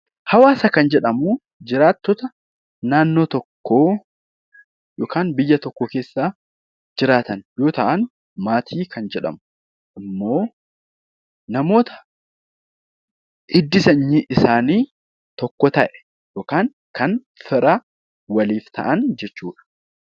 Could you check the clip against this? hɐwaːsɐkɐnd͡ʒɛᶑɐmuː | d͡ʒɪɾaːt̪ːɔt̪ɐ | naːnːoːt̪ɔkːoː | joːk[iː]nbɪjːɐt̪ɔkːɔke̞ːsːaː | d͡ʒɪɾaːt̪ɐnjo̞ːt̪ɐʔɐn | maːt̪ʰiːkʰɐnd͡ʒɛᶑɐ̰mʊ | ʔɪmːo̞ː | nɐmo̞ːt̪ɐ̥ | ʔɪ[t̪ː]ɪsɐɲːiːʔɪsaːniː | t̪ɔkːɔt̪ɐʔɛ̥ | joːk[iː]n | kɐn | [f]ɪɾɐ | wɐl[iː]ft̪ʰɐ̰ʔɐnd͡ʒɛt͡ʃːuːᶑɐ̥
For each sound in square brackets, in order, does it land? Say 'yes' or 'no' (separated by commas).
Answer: no, no, no, yes, yes